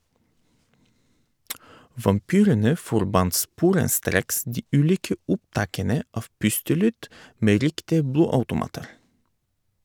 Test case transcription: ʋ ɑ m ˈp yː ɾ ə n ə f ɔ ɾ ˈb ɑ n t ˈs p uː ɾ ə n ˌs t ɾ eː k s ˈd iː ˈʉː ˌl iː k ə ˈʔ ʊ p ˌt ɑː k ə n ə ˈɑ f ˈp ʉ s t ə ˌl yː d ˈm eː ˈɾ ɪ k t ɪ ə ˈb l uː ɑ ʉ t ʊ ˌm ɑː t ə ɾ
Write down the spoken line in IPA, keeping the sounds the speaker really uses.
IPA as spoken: ʋ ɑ m ˈp yː ɾ ə n ə f ɔ ɾ ˈb ɑ n t ˈs p uː ɾ ə n ˌs t ɾ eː k s ˈd iː ˈʉː ˌl iː k ə ˈʔ ʊ p ˌt ɑː k ə n ə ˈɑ f ˈp ʉ s t ə ˌl yː d ˈm eː ˈɾ ɪ k t ɪ ə ˈb l uː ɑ ʉ t ʊ ˌm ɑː t ə ɾ

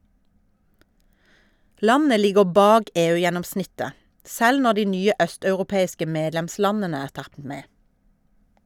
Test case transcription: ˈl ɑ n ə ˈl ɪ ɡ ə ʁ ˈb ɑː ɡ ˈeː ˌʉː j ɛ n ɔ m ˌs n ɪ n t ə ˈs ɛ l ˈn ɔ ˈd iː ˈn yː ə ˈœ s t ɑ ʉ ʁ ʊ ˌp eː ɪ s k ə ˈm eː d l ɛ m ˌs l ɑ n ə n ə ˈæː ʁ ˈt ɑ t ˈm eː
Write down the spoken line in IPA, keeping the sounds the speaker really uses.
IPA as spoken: ˈl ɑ n ə ˈl ɪ ɡ ə ʁ ˈb ɑː ɡ ˈeː ˌʉː j ɛ n ɔ m ˌs n ɪ t ə ˈs ɛ l ˈn ɔ ˈd iː ˈn yː ə ˈœ s t ɑ ʉ ʁ ʊ ˌp eː ɪ s k ə ˈm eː d l ɛ m ˌs l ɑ n ə n ə ˈæː ʁ ˈt ɑ t ˈm eː

